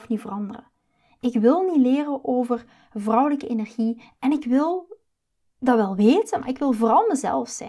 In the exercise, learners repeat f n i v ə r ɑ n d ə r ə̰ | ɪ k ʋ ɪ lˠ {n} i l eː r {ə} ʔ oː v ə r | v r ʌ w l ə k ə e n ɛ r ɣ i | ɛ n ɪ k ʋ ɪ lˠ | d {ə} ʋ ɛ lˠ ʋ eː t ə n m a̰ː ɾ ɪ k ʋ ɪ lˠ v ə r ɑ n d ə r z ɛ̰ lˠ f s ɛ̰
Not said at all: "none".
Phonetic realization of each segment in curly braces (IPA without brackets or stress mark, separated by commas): n, ə, ɑ